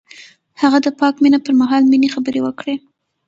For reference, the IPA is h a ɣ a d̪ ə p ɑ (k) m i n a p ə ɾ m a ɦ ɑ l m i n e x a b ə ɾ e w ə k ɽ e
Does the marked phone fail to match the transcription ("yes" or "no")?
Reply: no